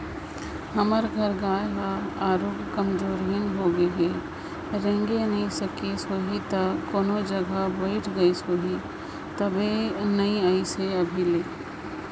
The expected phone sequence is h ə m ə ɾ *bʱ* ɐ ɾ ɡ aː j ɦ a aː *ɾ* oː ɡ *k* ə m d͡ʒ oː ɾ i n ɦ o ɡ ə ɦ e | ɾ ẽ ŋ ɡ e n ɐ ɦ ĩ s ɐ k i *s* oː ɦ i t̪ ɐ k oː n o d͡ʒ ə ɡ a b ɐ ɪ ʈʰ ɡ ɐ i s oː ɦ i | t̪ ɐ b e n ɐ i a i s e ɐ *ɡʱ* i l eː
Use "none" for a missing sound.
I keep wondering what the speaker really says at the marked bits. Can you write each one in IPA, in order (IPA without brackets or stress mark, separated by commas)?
ɡʱ, ɾ, k, s, bʱ